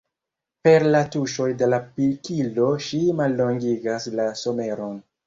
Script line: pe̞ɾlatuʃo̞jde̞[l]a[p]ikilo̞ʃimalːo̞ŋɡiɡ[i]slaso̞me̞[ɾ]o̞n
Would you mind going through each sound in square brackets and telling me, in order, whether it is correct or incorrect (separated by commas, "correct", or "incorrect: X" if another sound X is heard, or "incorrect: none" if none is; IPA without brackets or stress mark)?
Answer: correct, correct, incorrect: a, correct